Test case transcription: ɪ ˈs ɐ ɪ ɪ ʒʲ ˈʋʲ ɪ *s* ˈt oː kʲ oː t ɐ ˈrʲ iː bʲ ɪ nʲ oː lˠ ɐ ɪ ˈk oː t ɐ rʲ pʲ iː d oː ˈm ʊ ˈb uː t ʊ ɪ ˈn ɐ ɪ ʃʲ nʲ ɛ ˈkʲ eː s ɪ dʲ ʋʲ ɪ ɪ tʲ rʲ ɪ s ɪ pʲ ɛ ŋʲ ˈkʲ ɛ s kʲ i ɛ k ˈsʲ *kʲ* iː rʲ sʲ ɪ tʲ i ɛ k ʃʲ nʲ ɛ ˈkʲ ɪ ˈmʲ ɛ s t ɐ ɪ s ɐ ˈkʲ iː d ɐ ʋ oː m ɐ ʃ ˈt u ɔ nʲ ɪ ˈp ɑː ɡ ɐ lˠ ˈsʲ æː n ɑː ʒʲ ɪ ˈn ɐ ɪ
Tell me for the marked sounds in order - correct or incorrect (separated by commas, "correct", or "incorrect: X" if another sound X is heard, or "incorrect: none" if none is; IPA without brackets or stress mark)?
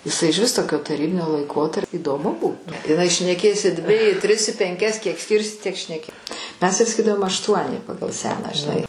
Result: correct, correct